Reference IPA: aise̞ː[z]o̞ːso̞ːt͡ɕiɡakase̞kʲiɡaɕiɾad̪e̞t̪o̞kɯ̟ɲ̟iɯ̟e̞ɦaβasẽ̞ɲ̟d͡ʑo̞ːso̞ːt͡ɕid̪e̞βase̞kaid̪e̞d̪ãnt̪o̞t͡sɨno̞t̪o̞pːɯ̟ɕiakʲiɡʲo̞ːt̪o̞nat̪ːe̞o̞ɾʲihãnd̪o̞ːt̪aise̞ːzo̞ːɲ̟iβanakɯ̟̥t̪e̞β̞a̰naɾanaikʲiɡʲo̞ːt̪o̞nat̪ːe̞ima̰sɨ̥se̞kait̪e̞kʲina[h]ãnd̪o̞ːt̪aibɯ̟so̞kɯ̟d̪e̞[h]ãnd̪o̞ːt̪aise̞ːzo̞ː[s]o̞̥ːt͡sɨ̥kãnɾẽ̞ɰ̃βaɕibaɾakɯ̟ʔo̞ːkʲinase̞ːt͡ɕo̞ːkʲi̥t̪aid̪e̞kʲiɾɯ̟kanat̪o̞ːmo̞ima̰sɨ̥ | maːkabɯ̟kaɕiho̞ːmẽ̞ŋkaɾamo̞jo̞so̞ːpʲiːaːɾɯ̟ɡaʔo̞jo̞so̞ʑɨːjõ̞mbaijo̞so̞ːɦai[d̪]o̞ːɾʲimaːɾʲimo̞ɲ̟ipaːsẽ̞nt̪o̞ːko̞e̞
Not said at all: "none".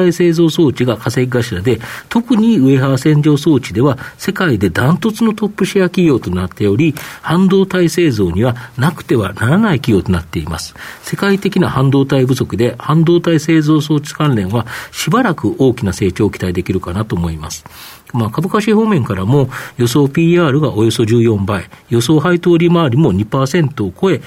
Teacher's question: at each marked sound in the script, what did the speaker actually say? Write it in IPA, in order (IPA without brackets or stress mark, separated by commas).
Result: z, h, h, s, t̪